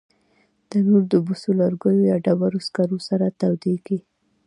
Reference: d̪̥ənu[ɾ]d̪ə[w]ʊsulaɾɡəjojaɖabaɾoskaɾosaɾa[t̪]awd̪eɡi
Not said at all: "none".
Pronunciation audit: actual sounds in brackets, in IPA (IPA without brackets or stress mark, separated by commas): ɾ, b, t̪